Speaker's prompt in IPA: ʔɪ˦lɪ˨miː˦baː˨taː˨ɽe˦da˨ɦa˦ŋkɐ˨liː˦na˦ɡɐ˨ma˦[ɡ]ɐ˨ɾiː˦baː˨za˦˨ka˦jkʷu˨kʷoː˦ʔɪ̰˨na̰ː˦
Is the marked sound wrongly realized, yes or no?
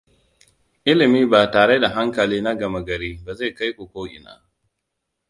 no